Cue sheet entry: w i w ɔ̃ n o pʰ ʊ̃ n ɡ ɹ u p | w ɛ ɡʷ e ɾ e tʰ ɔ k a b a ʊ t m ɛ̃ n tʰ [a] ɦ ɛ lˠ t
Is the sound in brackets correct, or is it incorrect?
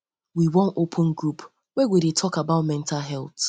correct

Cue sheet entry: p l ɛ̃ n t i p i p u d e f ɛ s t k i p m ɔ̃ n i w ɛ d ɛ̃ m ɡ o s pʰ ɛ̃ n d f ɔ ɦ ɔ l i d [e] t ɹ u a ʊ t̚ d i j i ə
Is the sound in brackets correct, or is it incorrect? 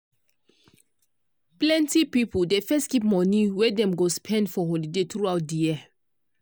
correct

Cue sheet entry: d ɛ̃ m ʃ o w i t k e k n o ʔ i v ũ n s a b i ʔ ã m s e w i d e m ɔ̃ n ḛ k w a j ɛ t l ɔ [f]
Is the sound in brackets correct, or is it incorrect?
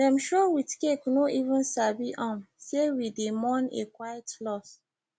incorrect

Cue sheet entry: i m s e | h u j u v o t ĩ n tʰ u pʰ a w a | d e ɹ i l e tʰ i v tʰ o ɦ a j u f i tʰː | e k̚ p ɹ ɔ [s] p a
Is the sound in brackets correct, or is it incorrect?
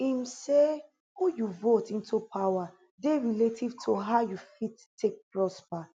correct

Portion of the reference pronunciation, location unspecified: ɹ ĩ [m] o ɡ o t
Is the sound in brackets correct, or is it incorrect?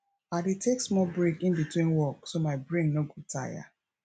incorrect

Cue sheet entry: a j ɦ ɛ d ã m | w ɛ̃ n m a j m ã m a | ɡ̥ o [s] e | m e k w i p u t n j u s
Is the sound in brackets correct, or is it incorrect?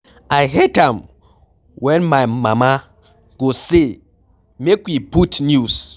correct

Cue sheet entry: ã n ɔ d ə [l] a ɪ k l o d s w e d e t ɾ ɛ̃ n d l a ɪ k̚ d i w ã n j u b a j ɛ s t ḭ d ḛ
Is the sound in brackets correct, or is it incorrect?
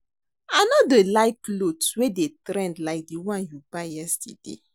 correct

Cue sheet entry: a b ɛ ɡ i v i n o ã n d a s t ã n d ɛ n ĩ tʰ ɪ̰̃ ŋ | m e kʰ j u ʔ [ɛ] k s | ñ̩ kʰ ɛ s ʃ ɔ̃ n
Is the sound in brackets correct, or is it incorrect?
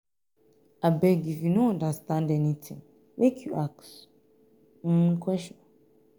incorrect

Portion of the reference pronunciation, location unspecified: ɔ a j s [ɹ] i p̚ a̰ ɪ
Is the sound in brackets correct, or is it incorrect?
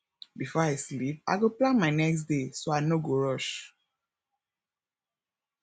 incorrect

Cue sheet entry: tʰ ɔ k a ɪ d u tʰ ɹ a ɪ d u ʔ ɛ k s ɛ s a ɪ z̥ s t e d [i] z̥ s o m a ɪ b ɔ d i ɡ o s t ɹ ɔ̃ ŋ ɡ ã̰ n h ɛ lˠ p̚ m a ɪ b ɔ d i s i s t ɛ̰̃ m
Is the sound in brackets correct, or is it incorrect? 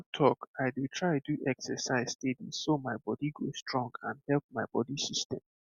correct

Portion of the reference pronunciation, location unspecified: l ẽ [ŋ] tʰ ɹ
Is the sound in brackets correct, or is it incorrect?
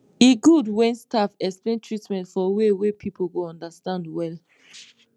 incorrect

